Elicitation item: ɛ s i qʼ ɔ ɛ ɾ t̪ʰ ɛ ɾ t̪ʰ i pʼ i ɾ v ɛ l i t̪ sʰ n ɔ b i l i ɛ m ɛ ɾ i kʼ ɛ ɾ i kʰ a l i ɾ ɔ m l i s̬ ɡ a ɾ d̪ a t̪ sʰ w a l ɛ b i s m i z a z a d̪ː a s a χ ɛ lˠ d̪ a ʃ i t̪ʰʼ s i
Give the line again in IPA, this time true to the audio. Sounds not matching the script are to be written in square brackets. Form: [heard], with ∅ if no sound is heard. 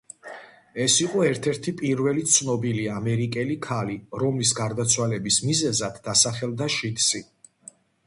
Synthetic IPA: ɛ s i qʼ ɔ ɛ ɾ t̪ʰ ɛ ɾ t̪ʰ i pʼ i ɾ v ɛ l i t̪ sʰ n ɔ b i l i [a] m ɛ ɾ i kʼ ɛ [l] i kʰ a l i ɾ ɔ m l i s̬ ɡ a ɾ d̪ a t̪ sʰ w a l ɛ b i s m i z [ɛ] z a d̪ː a s a χ ɛ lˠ d̪ a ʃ i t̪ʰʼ s i